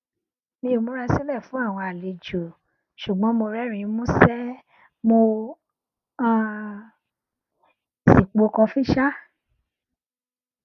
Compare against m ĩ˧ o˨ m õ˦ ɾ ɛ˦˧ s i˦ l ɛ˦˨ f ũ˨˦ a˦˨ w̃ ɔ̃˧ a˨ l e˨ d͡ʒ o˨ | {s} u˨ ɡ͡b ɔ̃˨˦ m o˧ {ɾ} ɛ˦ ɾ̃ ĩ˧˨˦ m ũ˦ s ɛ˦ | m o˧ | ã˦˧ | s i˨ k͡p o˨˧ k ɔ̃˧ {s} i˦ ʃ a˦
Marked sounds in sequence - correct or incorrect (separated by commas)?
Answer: incorrect, correct, incorrect